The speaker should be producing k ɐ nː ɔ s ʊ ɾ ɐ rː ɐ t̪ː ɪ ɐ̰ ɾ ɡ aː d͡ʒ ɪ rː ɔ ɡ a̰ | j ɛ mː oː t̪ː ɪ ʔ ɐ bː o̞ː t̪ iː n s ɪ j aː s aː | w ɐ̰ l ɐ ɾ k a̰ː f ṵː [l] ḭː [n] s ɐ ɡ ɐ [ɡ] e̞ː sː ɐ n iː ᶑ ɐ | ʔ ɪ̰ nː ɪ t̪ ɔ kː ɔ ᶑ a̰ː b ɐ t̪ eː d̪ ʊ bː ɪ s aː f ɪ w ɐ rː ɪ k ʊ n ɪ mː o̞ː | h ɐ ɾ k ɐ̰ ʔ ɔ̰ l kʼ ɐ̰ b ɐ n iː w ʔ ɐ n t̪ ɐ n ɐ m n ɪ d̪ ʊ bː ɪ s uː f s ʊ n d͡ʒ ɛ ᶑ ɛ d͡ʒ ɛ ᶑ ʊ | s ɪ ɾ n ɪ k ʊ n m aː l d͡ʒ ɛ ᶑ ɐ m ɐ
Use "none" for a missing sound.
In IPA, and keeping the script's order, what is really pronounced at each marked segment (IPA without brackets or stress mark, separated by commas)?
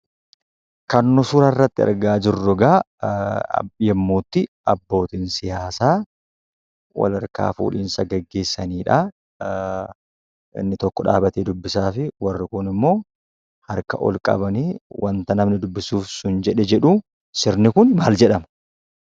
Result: l, n, ɡː